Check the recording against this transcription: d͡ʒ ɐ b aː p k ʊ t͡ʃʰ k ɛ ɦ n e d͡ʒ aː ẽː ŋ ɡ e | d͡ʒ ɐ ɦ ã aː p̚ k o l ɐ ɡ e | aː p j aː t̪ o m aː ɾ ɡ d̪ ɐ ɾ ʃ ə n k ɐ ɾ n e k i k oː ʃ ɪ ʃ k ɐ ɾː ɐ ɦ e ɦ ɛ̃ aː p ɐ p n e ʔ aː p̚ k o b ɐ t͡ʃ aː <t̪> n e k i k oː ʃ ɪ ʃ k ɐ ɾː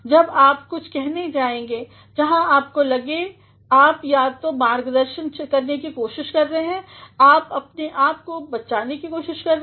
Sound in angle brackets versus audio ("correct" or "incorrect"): incorrect